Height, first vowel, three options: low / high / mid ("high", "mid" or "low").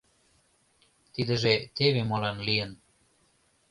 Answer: high